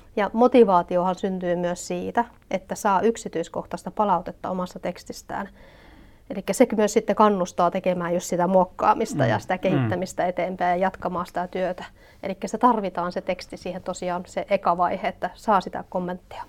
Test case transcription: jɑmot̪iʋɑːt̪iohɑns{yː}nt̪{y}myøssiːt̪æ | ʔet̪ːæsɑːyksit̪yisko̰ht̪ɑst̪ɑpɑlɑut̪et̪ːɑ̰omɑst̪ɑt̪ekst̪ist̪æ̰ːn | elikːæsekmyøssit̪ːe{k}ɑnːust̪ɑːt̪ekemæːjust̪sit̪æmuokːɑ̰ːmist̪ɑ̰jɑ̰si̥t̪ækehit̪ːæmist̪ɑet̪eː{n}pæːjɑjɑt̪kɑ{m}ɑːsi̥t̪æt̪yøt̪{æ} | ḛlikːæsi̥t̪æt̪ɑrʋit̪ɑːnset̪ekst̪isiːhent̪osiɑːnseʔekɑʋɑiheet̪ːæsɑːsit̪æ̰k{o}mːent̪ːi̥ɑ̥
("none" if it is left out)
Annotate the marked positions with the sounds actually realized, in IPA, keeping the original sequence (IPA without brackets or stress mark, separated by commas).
y, yː, k, m, m, æ, o